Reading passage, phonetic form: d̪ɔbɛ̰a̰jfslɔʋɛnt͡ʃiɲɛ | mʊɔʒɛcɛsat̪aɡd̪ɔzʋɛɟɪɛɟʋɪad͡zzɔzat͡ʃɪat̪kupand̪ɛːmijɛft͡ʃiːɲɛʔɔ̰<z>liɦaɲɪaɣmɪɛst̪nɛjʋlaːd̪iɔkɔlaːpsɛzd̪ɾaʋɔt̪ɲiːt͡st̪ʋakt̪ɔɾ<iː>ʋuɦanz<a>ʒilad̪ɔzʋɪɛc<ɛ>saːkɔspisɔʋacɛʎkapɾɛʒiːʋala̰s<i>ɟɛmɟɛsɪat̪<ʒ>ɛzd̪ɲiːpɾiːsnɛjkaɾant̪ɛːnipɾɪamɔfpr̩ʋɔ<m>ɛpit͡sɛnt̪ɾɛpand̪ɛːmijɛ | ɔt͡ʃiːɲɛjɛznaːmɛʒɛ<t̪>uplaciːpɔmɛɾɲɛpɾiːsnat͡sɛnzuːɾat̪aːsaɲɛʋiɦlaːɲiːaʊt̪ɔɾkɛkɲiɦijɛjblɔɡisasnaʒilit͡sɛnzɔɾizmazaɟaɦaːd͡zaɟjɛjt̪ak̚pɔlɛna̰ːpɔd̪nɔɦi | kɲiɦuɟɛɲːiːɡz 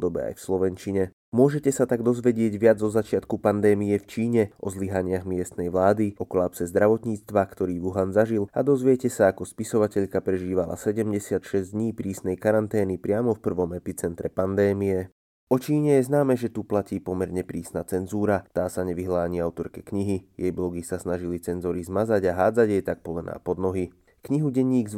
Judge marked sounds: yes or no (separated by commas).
yes, yes, yes, yes, no, no, yes, yes